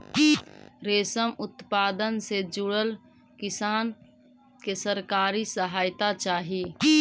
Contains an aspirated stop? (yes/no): no